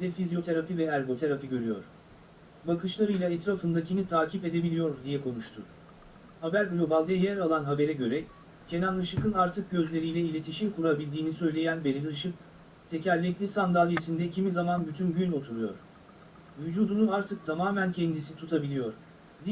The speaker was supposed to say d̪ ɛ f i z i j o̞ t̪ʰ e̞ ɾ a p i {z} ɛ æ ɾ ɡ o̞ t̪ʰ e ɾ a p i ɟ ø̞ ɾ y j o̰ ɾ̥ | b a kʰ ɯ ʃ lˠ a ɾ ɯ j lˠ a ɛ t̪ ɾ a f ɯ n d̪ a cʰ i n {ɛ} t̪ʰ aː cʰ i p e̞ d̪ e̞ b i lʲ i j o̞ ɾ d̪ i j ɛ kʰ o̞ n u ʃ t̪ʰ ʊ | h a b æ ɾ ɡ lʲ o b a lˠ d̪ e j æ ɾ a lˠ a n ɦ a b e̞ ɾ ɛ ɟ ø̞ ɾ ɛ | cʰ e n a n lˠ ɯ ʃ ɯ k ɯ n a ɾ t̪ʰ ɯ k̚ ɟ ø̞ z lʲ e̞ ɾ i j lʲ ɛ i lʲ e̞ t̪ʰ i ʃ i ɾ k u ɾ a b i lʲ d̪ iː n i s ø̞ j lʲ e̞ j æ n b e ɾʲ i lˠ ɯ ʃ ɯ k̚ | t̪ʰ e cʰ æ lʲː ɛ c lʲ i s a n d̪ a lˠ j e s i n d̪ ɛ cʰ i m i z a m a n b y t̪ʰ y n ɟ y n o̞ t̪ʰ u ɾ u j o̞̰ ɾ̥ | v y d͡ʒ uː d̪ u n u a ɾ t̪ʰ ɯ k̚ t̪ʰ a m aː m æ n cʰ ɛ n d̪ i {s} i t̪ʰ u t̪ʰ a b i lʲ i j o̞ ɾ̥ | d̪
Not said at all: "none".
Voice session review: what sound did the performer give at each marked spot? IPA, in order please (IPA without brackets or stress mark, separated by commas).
v, i, s